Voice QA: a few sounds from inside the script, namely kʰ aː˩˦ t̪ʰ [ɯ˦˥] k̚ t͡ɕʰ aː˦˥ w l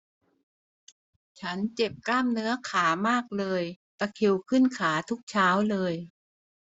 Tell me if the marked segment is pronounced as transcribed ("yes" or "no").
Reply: no